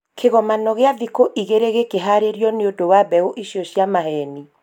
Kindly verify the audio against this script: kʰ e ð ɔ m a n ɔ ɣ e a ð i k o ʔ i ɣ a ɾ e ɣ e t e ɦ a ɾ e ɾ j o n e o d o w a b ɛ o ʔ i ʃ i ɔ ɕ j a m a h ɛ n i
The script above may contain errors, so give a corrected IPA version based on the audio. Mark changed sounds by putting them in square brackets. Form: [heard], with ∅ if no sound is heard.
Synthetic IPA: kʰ e [ɣ] ɔ m a n ɔ ɣ e a ð i k o ʔ i ɣ [e] ɾ e ɣ e [k] e ɦ a ɾ e ɾ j [ɔ] n e o d o w a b ɛ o ʔ i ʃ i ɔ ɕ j a m a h ɛ n i

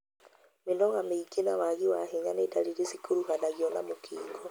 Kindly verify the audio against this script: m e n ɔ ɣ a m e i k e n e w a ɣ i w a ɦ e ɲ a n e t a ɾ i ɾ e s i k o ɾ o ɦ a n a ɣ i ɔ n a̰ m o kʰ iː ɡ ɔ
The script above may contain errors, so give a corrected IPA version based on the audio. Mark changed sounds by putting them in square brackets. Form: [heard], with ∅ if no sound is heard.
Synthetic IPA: m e n ɔ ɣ a m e i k e n [a] w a ɣ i w a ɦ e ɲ a n e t a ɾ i ɾ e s i k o ɾ [u] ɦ a n a ɣ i ɔ n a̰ m o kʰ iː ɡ ɔ

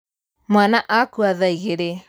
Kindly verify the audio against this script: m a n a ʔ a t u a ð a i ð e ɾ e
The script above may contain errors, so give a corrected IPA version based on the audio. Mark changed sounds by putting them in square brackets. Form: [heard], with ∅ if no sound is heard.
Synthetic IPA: m a n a ʔ a [k] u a ð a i [ɣ] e ɾ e

